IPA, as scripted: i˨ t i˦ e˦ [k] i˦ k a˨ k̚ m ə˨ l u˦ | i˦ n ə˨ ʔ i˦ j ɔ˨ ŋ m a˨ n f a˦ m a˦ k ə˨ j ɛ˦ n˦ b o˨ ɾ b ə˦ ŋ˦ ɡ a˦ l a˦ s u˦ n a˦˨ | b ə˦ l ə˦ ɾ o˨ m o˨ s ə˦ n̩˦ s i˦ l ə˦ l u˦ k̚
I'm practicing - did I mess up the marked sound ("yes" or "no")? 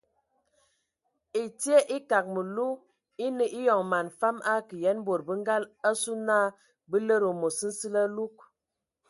yes